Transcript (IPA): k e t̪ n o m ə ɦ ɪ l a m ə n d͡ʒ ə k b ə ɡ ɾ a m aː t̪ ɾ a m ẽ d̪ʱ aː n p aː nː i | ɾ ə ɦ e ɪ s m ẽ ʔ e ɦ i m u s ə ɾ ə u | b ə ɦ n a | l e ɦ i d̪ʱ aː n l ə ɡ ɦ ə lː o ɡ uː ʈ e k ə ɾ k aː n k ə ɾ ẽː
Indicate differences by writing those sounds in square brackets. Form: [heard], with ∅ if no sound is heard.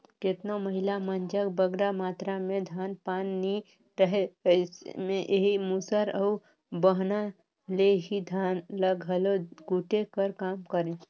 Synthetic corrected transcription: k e t̪ n o m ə ɦ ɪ l a m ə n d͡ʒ ə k b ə ɡ ɾ a m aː t̪ ɾ a m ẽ d̪ʱ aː n p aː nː i | ɾ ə ɦ e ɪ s m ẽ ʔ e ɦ i m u s ə ɾ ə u | b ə ɦ n a | l e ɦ i d̪ʱ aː n l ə ɡ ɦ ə [l] o ɡ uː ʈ e k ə ɾ k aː [m] k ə ɾ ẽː